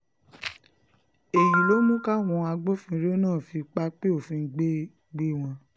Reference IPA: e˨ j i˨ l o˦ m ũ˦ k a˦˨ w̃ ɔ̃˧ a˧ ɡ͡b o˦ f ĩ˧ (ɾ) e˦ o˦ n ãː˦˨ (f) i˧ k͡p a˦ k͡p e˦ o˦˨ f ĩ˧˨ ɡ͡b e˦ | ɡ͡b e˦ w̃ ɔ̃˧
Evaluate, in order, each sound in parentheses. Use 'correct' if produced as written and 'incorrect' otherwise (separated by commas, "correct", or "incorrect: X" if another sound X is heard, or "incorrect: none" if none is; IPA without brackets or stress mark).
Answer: correct, correct